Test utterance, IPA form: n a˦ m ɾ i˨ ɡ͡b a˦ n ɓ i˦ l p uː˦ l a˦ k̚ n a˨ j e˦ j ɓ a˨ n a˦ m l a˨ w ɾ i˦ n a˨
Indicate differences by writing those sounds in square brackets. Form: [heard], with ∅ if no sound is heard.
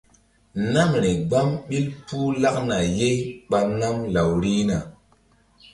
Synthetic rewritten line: n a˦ m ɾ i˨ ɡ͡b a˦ [m] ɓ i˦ l p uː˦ l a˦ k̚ n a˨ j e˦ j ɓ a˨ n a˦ m l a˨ w ɾ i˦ n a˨